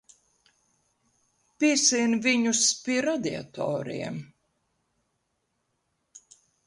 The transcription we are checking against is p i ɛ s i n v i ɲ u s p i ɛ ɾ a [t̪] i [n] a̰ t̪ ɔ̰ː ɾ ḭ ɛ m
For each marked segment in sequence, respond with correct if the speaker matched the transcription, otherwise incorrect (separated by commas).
incorrect, incorrect